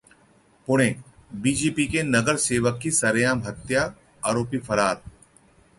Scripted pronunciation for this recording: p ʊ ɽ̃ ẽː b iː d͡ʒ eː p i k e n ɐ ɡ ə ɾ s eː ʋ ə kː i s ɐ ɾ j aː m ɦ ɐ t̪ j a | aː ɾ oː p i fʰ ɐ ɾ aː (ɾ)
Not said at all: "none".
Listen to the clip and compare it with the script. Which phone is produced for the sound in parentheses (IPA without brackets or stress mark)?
ɾ